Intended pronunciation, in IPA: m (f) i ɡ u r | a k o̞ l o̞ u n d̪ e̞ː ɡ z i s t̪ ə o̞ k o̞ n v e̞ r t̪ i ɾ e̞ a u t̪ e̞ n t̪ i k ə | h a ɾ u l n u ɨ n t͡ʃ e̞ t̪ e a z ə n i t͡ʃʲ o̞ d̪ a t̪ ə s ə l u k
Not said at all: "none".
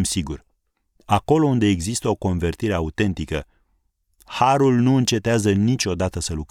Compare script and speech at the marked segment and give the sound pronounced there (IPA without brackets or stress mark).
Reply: s